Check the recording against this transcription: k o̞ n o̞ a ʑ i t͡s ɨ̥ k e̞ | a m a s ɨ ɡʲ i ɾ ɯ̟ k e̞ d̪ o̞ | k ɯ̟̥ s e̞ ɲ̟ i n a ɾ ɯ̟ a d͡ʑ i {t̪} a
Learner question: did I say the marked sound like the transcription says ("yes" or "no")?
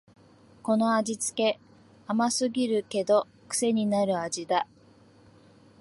no